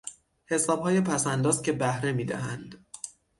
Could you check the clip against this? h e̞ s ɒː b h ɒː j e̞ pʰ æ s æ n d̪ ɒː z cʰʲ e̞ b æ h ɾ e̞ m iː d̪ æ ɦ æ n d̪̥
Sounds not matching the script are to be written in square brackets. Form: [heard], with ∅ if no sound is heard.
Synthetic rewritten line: h e̞ s ɒː b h ɒː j e̞ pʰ æ s æ n d̪ ɒː z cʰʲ e̞ b æ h ɾ e̞ m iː d̪ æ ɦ æ n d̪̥

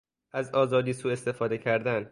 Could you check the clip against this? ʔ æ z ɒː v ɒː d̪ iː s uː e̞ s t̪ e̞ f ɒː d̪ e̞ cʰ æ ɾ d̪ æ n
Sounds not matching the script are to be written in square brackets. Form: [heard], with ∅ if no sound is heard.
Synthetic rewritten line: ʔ æ z ɒː [z] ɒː d̪ iː s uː e̞ s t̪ e̞ f ɒː d̪ e̞ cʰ æ ɾ d̪ æ n

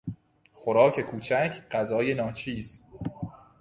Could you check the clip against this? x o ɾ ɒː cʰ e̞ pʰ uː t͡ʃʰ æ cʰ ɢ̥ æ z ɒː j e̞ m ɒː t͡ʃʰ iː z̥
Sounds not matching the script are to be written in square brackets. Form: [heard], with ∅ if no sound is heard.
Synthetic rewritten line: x o ɾ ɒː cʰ e̞ [kʰ] uː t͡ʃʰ æ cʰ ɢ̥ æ z ɒː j e̞ [n] ɒː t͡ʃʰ iː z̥

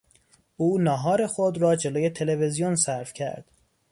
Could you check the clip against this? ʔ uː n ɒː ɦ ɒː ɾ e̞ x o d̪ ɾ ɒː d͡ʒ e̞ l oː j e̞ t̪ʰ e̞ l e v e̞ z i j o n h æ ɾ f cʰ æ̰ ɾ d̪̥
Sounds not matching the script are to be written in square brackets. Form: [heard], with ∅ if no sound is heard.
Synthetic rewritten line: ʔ uː n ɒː ɦ ɒː ɾ e̞ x o d̪ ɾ ɒː d͡ʒ e̞ l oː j e̞ t̪ʰ e̞ l e v e̞ z i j o n [s] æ ɾ f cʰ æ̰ ɾ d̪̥

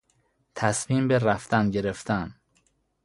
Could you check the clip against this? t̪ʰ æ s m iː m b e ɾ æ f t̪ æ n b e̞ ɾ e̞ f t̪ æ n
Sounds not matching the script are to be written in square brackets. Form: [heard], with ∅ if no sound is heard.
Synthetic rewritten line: t̪ʰ æ s m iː m b e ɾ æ f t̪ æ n [ɟ] e̞ ɾ e̞ f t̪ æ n

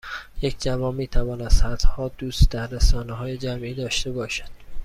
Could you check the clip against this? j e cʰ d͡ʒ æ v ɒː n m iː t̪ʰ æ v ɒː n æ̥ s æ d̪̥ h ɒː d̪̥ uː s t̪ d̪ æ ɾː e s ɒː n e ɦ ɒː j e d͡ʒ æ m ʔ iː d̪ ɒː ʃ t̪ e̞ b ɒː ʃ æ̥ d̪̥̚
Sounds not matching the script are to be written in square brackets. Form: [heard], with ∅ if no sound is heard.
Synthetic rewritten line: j e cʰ d͡ʒ æ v ɒː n m iː t̪ʰ æ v ɒː n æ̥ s æ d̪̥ h ɒː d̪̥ uː s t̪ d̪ æ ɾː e s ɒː n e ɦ ɒː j e d͡ʒ æ m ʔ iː d̪ ɒː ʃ t̪ e̞ b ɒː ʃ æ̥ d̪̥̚

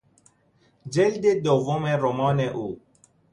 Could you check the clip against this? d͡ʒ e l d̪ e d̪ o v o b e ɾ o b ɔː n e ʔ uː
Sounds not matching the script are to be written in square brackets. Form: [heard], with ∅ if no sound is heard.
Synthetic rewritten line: d͡ʒ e l d̪ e d̪ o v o [m] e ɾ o [m] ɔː n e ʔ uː

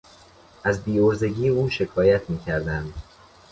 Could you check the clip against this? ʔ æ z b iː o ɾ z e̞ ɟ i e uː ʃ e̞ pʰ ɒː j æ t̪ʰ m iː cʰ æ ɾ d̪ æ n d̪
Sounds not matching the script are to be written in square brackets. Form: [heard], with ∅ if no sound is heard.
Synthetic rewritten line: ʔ æ z b iː o ɾ z e̞ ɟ [iː] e uː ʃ e̞ [kʰ] ɒː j æ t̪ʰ m iː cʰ æ ɾ d̪ æ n d̪

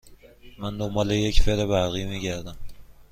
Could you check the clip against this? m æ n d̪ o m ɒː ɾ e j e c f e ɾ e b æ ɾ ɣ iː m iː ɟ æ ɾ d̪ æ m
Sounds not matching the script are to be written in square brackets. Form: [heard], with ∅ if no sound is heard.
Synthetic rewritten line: m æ n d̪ o m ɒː [l] e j e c f e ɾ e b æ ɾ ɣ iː m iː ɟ æ ɾ d̪ æ m

